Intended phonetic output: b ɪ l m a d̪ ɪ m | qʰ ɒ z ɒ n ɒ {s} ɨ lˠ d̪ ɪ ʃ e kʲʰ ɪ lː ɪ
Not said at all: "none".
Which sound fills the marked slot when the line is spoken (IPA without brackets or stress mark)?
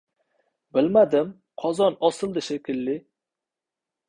s